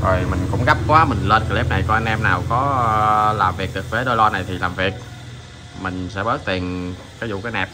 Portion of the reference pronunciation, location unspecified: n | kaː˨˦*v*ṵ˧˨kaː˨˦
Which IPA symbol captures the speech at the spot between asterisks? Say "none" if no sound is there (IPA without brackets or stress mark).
z